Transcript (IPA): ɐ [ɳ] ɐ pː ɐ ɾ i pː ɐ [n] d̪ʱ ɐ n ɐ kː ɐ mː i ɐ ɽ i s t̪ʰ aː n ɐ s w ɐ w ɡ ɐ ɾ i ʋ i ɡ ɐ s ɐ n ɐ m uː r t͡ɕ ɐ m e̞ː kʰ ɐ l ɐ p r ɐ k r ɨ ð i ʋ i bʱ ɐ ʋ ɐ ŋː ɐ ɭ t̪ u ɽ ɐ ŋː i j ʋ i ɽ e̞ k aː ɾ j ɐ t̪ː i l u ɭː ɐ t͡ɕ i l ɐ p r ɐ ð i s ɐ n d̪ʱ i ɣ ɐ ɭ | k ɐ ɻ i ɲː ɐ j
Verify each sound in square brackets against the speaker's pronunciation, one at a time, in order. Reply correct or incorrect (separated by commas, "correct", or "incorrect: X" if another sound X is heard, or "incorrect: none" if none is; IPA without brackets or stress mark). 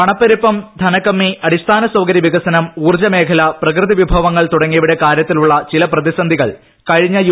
correct, incorrect: m